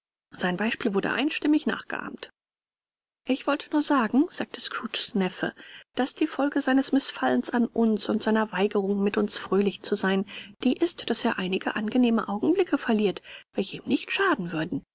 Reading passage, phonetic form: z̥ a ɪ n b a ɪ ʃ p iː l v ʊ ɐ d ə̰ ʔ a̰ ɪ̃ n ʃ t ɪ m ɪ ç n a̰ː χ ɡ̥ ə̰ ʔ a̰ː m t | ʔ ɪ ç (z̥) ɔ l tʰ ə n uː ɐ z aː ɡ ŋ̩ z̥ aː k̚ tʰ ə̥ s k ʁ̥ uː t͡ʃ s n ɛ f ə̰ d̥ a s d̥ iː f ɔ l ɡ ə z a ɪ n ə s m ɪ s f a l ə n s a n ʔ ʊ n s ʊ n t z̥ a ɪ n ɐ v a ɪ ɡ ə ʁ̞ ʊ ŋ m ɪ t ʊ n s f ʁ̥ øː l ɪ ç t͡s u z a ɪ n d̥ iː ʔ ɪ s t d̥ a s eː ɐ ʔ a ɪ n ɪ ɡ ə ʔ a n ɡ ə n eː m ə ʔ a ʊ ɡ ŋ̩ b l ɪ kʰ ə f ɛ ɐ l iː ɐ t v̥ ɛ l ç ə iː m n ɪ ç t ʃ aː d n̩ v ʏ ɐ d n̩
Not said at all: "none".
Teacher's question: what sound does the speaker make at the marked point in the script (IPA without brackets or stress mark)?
v̥